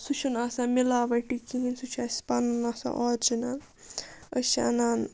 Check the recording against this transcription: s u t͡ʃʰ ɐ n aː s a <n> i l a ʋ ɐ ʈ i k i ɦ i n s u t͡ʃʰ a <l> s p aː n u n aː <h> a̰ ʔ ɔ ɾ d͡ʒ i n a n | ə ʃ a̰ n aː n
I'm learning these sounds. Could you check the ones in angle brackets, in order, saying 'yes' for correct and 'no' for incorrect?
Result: no, no, no

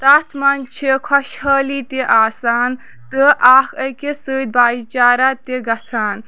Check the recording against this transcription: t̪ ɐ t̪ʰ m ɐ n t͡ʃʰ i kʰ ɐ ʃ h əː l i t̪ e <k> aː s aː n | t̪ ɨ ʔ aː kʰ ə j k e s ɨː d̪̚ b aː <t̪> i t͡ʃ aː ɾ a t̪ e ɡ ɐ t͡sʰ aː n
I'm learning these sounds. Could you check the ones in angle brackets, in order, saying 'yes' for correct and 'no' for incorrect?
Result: no, no

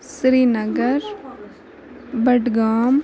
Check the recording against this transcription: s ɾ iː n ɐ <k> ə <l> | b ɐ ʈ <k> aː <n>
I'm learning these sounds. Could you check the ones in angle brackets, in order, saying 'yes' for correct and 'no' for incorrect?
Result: no, no, no, no

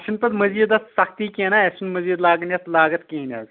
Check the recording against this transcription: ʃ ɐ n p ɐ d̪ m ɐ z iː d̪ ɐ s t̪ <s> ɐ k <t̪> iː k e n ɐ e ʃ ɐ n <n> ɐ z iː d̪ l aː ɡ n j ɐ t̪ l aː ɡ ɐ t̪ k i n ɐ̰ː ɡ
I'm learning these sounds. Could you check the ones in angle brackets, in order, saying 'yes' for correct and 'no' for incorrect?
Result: yes, yes, no

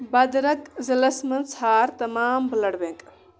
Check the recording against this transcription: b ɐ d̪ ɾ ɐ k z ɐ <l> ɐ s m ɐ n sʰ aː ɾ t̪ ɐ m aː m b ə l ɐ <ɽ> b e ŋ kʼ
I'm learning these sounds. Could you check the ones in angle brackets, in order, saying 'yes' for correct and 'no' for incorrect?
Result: yes, yes

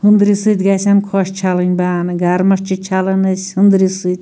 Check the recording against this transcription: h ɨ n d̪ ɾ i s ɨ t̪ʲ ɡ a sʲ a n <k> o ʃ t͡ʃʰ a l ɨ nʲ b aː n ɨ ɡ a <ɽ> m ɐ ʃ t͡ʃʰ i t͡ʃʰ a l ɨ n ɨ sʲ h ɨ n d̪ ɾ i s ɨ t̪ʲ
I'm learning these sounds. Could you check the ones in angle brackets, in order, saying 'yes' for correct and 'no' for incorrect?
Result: no, no

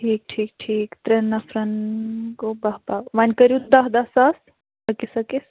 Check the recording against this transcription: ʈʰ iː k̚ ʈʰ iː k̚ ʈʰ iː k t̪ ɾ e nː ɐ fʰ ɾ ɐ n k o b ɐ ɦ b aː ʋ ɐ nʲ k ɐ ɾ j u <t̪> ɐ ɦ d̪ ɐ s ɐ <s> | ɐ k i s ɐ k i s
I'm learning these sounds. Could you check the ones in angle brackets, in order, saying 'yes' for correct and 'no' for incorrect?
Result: no, yes

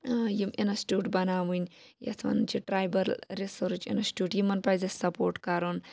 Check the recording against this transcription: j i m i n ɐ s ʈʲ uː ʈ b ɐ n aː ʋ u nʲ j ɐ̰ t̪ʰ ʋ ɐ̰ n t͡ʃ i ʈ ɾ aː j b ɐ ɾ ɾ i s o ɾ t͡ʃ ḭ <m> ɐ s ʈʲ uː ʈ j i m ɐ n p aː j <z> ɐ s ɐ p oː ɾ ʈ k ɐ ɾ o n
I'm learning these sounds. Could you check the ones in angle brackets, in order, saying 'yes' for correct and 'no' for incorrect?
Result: no, yes

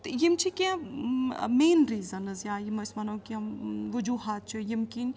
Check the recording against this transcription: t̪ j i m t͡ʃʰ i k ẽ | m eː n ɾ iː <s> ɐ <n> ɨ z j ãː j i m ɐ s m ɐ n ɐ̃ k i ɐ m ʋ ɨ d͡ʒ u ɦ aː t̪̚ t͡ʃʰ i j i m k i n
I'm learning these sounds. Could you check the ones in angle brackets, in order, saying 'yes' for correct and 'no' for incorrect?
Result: no, yes

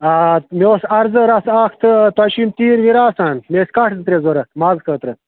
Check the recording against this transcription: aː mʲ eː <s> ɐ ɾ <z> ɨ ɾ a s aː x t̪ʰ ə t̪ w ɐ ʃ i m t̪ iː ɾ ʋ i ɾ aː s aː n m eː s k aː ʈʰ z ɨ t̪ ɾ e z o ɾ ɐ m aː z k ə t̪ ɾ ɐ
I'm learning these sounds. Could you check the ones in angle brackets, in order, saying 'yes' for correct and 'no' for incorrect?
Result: yes, yes

